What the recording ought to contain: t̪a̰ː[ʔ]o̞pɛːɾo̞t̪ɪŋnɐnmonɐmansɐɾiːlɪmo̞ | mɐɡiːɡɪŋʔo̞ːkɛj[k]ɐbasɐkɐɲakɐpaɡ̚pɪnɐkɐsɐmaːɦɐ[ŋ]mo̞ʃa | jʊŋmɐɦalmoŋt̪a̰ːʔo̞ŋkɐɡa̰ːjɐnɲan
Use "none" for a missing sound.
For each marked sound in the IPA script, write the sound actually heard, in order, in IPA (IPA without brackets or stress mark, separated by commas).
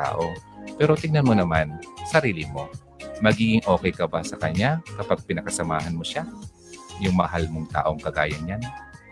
ʔ, k, n